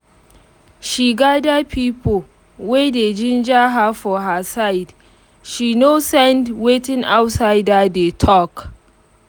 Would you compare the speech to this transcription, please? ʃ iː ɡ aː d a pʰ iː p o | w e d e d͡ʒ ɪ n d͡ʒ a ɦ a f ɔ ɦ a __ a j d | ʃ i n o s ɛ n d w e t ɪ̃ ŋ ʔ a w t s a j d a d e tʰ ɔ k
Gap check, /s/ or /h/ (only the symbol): s